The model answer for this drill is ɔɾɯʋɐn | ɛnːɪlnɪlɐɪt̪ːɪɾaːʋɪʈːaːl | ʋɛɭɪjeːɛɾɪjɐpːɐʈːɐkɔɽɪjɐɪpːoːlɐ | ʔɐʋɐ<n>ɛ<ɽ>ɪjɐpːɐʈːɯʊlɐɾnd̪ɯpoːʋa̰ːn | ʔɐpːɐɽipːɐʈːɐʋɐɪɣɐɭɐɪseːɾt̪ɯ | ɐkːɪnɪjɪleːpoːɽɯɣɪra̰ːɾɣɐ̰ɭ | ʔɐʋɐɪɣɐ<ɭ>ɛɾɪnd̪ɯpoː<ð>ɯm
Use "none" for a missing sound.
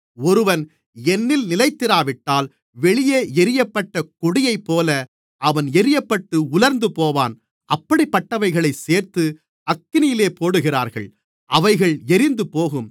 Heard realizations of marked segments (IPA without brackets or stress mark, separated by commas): n, ɾ, ɭ, ɣ